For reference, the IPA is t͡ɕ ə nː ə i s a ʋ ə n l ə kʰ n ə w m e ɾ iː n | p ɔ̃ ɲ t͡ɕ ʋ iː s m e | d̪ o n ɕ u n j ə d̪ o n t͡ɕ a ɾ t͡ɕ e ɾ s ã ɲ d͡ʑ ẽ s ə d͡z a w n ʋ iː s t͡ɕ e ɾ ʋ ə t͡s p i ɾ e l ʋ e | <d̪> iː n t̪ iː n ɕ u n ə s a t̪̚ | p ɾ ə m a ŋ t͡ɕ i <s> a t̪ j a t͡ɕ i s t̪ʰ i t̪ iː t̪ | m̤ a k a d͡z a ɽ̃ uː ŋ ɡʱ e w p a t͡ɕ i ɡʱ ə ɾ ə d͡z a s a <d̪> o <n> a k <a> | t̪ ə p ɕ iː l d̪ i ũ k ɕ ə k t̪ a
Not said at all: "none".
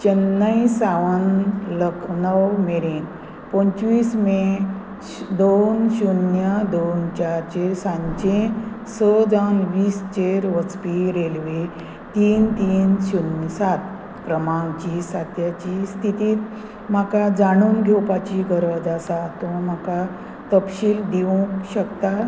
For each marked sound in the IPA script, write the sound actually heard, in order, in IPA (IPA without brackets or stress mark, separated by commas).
t̪, s, t̪, m, a